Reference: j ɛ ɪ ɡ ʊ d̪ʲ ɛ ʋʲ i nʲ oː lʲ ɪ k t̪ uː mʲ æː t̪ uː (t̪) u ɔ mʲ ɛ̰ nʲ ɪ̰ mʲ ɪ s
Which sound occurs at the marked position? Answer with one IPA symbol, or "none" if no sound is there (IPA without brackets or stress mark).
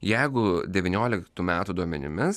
d̪